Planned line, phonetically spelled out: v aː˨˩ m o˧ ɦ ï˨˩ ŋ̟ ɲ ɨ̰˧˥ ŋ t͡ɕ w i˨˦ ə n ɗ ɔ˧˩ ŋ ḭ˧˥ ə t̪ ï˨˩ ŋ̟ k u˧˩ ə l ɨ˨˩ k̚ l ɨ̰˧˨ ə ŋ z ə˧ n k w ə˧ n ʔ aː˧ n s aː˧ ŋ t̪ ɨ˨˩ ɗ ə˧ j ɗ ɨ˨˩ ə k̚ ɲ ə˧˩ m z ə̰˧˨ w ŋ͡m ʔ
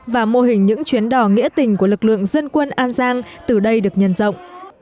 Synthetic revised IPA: v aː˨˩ m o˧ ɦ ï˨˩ ŋ̟ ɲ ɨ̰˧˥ ŋ t͡ɕ w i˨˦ ə n ɗ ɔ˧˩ ŋ ḭ˧˥ ə t̪ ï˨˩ ŋ̟ k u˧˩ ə l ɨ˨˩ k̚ l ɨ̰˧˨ ə ŋ z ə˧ n k w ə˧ n ʔ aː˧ n z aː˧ ŋ t̪ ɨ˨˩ ɗ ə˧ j ɗ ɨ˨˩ ə k̚ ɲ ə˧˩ n z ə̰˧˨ w ŋ͡m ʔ